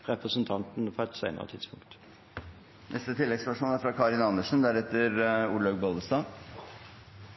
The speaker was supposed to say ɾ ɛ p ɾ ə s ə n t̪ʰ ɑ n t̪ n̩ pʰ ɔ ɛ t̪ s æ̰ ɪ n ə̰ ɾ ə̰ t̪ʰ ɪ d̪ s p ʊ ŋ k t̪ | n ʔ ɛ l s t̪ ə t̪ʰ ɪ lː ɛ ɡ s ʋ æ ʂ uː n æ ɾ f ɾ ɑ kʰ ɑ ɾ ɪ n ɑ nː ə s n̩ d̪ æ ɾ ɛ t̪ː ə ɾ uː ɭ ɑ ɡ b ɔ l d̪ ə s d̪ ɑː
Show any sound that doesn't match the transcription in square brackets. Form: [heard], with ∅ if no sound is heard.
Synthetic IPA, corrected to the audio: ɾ ɛ p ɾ ə s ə n t̪ʰ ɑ n t̪ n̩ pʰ ɔ ɛ t̪ s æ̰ ɪ n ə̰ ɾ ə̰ t̪ʰ ɪ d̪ s p ʊ ŋ k t̪ | n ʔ ɛ [∅] s t̪ ə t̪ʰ ɪ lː ɛ ɡ s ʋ æ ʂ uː n æ ɾ f ɾ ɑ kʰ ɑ ɾ ɪ n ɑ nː ə [ʂ] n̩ d̪ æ ɾ ɛ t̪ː ə ɾ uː ɭ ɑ ɡ b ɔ l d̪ ə s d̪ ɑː